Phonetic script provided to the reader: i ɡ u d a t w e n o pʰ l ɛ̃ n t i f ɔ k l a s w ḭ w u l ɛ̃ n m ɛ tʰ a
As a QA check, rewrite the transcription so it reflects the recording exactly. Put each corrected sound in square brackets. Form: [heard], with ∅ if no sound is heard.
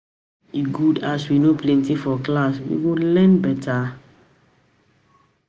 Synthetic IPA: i ɡ u d a [s] w [i] n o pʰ l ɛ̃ n t i f ɔ k l a s w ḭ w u l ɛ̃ n [b] ɛ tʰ a